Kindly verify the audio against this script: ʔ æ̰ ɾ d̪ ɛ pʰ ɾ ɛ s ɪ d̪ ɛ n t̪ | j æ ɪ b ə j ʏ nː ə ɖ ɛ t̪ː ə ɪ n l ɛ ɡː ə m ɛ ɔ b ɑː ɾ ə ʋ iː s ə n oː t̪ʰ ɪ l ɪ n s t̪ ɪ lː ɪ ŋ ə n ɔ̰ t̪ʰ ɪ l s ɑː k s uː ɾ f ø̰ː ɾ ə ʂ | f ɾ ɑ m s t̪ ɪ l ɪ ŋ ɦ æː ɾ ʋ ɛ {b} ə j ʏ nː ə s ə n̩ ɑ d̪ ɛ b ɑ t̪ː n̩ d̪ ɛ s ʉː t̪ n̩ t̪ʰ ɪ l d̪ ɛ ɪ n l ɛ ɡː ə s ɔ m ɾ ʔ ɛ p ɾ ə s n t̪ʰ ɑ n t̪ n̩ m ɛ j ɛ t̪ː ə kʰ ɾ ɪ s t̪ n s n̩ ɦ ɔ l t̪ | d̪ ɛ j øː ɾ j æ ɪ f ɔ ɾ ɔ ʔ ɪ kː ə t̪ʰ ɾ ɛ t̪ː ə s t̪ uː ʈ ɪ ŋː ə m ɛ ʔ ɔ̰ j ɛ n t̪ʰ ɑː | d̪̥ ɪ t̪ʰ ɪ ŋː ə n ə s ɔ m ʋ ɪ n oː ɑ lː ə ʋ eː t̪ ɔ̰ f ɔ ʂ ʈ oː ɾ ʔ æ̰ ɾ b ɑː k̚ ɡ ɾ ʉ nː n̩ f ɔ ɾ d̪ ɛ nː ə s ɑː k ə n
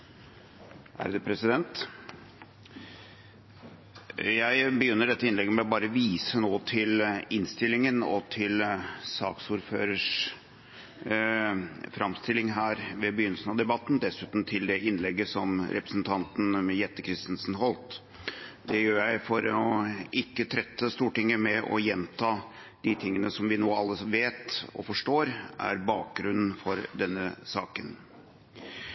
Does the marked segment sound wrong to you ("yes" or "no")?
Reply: no